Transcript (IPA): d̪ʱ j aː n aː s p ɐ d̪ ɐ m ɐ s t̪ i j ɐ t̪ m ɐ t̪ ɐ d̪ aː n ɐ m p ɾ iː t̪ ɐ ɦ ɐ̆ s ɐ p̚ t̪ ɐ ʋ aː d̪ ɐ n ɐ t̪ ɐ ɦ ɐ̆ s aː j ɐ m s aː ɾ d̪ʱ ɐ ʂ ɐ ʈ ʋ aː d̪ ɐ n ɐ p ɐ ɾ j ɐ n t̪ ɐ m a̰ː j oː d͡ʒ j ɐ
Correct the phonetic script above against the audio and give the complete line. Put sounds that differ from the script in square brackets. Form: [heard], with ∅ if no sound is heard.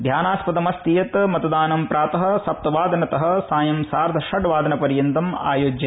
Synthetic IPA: d̪ʱ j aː n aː s p ɐ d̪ ɐ m ɐ s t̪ i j ɐ t̪ m ɐ t̪ ɐ d̪ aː n ɐ m p ɾ [aː] t̪ ɐ ɦ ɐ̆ s ɐ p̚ t̪ ɐ ʋ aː d̪ ɐ n ɐ t̪ ɐ ɦ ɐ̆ s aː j ɐ m s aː ɾ d̪ʱ ɐ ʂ ɐ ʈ ʋ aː d̪ ɐ n ɐ p ɐ ɾ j ɐ n t̪ ɐ m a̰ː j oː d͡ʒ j ɐ